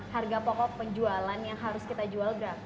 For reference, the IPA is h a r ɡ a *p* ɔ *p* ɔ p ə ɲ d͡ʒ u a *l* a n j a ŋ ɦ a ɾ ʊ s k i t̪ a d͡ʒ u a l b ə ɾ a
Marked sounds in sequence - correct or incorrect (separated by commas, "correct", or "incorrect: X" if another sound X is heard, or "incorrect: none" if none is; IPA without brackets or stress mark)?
correct, incorrect: k, correct